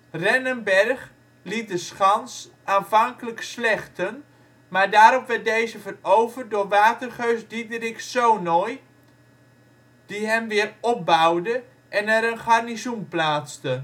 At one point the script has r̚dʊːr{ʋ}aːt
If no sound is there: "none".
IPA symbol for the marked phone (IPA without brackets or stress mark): ʋ